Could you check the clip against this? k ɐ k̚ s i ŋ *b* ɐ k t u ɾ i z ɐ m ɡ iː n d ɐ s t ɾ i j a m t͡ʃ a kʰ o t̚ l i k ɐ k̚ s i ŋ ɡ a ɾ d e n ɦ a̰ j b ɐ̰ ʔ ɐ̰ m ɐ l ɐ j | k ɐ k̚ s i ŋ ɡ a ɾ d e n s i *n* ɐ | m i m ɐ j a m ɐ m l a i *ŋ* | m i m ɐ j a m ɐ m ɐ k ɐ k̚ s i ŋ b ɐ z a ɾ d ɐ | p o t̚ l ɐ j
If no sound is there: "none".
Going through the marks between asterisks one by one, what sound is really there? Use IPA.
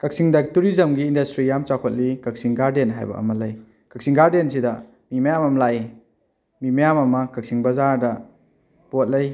d, d, none

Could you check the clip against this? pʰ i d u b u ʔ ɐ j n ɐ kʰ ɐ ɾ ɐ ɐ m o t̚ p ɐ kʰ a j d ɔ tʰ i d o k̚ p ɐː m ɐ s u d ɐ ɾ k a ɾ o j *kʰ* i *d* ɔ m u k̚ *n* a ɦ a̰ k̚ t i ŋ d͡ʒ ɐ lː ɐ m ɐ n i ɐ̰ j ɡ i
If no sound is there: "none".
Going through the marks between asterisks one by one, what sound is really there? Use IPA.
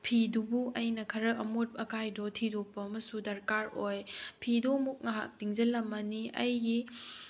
pʰ, d, ŋ

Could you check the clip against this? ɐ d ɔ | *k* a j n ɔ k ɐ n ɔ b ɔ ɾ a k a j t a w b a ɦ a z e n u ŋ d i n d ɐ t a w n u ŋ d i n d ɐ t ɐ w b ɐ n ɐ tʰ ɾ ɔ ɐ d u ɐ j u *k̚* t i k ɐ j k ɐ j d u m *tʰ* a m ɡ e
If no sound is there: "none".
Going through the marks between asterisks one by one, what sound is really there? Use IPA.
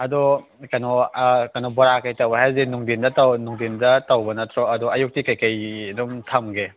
k, k̚, tʰ

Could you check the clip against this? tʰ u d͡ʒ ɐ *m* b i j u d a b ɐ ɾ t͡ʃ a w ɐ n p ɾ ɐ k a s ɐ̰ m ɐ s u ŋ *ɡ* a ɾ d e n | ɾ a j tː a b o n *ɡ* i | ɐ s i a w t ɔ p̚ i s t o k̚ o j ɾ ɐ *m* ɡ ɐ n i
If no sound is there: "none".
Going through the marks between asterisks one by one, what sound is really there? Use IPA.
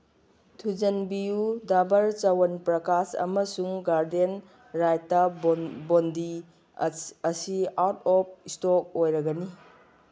n, ɡ, d, none

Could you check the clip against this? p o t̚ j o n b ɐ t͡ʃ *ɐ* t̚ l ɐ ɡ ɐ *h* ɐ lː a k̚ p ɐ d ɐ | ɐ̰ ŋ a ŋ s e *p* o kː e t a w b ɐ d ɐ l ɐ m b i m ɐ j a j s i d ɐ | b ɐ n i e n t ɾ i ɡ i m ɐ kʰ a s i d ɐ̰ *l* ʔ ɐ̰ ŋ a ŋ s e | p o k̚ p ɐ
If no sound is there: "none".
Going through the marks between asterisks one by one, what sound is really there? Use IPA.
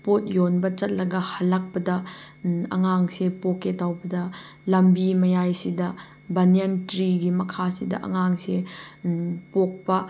ɐ, h, p, none

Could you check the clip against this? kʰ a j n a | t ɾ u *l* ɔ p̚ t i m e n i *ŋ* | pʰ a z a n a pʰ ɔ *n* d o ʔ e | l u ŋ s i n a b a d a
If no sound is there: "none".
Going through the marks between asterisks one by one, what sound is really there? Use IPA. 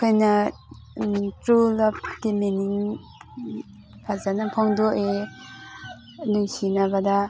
l, ŋ, ŋ

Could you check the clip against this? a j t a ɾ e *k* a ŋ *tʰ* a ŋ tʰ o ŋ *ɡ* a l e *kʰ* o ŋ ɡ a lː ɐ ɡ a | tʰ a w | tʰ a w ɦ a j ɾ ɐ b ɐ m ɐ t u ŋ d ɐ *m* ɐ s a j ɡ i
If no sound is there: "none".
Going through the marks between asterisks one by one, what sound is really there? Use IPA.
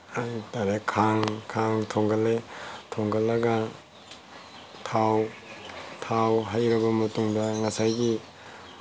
kʰ, kʰ, ɡ, tʰ, ŋ

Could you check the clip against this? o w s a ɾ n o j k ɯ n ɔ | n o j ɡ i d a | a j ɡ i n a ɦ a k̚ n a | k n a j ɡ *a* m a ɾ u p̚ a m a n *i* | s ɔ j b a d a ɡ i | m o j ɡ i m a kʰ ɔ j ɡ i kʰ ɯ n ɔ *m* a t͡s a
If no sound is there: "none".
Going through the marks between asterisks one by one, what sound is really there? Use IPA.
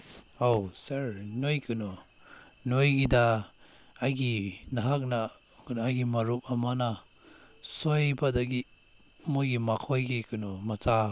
i, a, m

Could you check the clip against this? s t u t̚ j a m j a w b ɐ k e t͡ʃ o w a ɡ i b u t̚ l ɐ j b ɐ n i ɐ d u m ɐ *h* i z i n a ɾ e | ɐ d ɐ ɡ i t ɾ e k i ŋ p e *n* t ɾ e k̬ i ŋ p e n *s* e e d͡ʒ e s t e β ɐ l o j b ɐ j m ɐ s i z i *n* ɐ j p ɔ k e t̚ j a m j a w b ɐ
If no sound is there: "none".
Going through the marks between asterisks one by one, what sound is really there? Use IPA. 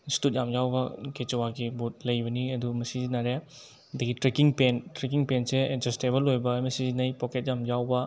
s, n, s, n

